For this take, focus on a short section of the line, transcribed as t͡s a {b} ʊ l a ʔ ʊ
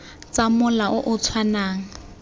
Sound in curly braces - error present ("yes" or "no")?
yes